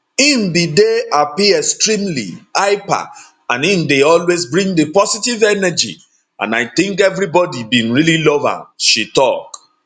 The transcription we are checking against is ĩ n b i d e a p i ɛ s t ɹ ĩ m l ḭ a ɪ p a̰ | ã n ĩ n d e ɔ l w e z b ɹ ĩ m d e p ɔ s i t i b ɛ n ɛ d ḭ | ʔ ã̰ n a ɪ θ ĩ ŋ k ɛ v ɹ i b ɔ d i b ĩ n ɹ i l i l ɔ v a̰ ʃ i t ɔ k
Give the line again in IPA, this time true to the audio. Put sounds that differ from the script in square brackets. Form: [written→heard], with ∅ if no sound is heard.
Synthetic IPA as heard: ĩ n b i d e a p i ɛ s t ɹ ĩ m l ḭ a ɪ p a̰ | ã n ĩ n d e ɔ l w e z b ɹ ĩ [m→ŋ] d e p ɔ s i t i [b→v] ɛ n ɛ [d→d͡ʒ] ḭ | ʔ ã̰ n a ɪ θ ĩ ŋ k ɛ v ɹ i b ɔ d i b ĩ n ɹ i l i l ɔ v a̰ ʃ i t ɔ k